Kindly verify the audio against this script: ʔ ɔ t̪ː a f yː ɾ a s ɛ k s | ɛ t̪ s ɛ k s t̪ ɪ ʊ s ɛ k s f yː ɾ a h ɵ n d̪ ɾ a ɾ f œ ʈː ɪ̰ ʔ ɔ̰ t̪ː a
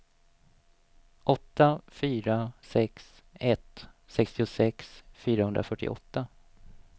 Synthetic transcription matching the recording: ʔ ɔ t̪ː a f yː ɾ a s ɛ k s | ɛ t̪ s ɛ k s t̪ ɪ ʊ s ɛ k s f yː ɾ a h ɵ n d̪ ɾ a f œ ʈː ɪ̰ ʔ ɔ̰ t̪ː a